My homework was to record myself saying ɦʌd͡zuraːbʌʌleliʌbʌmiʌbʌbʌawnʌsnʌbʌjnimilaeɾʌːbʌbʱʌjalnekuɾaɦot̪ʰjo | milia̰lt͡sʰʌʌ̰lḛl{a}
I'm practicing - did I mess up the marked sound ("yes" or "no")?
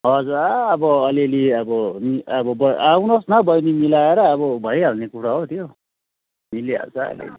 yes